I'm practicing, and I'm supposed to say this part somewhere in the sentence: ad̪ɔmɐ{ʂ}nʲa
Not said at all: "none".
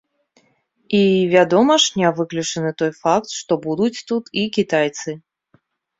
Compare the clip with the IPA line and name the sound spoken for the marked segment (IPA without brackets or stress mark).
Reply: ʂ